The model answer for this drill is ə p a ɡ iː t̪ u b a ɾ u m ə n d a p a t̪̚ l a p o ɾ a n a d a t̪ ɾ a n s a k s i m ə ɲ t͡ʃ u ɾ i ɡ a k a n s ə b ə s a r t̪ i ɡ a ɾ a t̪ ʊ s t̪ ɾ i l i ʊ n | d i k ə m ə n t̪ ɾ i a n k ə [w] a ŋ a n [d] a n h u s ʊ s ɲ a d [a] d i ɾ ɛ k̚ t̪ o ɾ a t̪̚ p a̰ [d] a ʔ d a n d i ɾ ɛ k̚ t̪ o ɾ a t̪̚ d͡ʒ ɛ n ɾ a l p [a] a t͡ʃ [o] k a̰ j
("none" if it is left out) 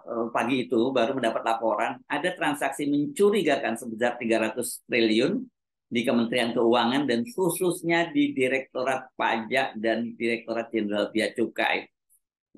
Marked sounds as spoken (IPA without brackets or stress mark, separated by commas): u, d, i, d͡ʒ, i, u